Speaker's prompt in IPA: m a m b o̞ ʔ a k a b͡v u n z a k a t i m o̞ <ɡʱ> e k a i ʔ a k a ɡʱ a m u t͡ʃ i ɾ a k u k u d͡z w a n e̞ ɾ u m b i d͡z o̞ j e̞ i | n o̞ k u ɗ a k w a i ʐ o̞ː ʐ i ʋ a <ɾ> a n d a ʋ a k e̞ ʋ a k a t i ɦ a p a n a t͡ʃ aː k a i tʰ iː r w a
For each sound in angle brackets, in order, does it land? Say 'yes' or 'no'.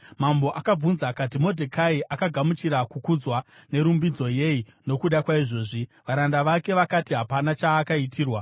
no, yes

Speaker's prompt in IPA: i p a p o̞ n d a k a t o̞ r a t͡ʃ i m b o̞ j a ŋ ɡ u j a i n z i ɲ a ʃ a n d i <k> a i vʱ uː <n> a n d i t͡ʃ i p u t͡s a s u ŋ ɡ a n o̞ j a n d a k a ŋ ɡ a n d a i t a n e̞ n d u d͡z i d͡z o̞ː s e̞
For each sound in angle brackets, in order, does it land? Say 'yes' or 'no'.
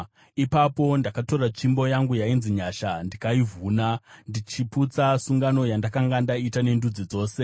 yes, yes

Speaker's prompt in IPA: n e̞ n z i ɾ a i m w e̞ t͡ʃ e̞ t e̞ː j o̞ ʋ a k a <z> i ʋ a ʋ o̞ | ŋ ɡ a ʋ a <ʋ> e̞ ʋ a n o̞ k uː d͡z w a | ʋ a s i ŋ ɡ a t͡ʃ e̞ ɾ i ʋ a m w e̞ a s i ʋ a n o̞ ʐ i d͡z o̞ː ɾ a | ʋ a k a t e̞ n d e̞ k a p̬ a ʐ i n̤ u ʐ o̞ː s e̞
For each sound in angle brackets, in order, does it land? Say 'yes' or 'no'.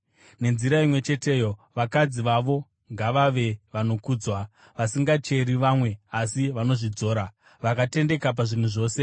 no, yes

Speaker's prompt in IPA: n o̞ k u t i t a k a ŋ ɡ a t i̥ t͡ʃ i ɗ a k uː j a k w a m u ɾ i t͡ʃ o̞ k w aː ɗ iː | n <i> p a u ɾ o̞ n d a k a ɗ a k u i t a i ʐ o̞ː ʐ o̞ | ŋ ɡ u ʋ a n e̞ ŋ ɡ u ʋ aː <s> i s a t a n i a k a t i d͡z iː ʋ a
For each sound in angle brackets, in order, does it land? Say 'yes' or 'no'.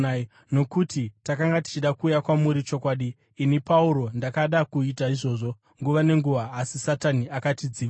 yes, yes

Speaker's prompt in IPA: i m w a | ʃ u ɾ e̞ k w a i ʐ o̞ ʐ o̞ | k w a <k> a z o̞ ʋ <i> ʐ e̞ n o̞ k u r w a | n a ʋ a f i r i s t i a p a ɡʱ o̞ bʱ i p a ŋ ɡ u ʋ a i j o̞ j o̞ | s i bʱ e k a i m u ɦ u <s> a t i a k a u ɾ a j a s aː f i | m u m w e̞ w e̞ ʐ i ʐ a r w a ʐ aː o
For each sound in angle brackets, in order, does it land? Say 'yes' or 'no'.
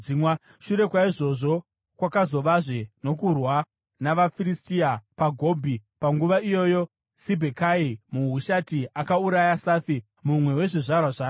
yes, no, no

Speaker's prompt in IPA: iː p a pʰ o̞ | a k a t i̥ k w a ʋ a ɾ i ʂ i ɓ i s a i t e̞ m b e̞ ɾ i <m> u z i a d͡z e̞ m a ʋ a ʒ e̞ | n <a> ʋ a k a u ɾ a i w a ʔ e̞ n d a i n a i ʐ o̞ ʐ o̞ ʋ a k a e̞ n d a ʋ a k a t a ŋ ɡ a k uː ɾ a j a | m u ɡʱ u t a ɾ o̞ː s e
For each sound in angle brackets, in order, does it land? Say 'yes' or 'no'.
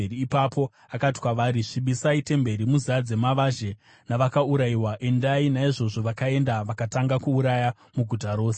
yes, yes

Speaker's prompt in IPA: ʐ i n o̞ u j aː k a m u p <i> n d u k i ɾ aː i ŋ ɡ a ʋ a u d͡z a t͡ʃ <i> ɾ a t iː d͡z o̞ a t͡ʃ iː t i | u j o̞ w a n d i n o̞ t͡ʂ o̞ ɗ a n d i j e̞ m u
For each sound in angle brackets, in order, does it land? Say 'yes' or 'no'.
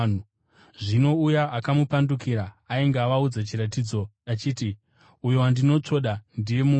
no, yes

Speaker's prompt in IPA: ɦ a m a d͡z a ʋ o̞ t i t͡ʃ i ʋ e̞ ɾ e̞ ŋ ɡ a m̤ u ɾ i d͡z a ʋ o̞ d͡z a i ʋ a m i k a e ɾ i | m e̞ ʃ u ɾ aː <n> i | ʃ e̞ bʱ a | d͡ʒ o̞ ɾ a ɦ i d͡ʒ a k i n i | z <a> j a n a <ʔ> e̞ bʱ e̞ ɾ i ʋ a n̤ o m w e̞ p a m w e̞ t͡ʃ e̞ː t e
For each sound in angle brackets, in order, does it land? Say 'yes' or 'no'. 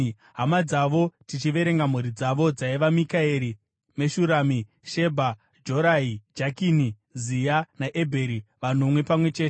no, no, yes

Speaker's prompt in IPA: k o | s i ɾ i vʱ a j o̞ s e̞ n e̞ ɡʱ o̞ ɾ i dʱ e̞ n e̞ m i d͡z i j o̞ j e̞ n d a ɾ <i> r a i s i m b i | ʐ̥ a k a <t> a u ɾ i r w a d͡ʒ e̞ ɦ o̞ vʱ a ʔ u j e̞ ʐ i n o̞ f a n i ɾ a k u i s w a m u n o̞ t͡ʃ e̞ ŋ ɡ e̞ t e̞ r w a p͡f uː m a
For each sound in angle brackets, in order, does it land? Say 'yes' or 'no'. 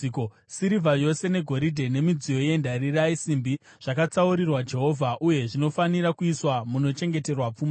yes, no

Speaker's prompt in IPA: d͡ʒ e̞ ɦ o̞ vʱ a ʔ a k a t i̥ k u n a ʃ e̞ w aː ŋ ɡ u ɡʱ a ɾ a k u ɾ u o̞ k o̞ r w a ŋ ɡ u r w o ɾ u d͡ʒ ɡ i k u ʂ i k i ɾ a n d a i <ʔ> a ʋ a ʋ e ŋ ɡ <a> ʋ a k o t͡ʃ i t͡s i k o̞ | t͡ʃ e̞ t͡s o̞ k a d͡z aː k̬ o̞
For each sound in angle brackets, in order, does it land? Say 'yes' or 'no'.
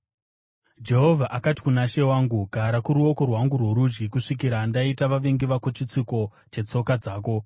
no, no

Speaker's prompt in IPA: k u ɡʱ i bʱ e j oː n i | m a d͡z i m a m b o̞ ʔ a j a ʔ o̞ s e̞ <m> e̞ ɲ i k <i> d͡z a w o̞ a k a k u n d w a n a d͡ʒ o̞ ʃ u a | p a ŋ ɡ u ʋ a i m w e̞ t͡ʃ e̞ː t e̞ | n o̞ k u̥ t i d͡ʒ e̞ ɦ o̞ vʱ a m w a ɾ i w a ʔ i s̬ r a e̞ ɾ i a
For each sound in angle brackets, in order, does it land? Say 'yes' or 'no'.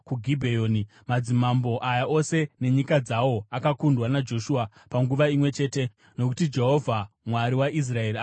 no, no

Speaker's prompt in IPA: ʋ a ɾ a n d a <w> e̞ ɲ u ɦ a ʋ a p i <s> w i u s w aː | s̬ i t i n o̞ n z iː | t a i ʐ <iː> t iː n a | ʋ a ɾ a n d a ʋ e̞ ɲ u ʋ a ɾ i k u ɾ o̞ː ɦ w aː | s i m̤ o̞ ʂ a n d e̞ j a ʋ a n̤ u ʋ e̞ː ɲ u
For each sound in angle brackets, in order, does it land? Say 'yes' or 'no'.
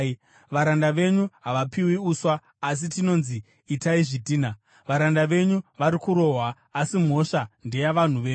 no, no, no

